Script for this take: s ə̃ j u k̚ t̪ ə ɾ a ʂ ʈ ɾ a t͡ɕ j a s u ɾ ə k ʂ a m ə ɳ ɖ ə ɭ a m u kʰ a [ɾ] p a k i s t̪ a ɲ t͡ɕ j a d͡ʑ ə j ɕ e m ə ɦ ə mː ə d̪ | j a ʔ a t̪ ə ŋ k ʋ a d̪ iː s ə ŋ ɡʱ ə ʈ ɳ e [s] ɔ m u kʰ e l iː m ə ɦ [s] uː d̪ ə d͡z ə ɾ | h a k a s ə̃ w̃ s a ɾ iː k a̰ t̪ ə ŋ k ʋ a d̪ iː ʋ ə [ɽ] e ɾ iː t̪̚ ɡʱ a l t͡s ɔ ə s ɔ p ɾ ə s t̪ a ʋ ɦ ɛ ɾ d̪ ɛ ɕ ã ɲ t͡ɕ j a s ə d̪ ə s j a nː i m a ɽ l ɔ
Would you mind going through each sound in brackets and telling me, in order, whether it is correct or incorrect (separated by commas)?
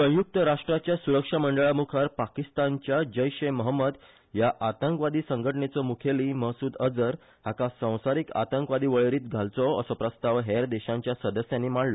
correct, incorrect, correct, incorrect